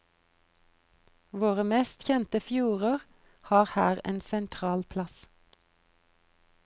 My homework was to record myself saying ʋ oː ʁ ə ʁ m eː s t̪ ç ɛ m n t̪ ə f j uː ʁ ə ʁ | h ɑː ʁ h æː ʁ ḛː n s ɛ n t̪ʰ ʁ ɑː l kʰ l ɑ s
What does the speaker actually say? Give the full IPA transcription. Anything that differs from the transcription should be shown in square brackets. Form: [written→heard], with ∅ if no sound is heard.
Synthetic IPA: ʋ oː ʁ ə [ʁ→∅] m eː s t̪ ç ɛ [m→∅] n t̪ ə f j uː ʁ ə ʁ | h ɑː ʁ h æː ʁ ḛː n s ɛ n t̪ʰ ʁ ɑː l [kʰ→pʰ] l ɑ s